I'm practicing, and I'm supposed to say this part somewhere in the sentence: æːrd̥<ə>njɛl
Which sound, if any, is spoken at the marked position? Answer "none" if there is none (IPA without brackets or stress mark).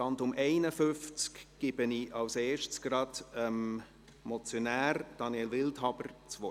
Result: ɑ